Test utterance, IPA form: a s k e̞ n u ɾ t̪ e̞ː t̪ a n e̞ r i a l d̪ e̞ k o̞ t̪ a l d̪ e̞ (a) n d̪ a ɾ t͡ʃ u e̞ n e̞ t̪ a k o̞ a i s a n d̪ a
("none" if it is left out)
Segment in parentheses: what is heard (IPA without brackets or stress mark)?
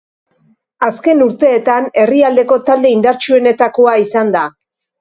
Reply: i